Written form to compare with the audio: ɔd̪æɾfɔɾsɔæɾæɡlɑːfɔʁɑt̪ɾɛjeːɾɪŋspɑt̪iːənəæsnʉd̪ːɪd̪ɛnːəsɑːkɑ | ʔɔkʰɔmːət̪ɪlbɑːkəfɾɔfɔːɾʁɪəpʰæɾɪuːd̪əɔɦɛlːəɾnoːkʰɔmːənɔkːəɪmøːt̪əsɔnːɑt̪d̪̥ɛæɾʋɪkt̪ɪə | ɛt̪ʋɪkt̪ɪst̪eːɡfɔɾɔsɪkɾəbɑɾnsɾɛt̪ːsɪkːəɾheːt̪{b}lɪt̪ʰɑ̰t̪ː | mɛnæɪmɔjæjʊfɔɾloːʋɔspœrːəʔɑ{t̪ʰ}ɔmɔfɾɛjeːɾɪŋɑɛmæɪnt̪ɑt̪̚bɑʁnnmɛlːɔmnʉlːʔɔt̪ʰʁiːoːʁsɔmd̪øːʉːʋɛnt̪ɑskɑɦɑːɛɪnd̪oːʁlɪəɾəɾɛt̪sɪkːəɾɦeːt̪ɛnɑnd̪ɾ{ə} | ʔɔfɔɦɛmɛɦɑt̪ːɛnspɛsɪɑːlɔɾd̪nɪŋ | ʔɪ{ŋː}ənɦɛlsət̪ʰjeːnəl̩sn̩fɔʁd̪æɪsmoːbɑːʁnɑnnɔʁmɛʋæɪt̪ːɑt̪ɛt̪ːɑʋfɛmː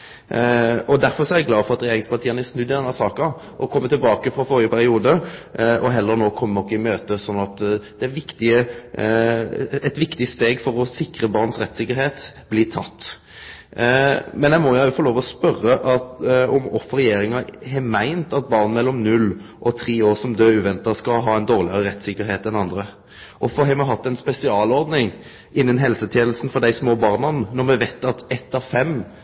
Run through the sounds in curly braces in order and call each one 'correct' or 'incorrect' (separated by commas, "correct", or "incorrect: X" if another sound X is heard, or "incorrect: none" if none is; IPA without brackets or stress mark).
correct, incorrect: t̪, correct, incorrect: nː